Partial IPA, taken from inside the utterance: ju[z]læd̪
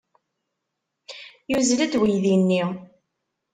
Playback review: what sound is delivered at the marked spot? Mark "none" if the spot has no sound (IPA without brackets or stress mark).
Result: z